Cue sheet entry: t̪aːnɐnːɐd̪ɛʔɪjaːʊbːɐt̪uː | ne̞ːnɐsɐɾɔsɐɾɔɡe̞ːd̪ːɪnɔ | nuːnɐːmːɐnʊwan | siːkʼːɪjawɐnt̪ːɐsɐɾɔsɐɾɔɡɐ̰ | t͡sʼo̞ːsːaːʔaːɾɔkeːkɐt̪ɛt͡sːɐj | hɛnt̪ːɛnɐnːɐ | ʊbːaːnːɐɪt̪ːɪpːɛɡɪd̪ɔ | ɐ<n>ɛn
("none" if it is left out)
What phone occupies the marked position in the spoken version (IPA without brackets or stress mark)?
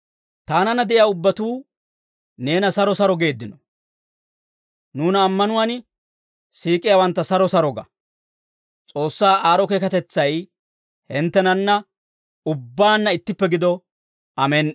m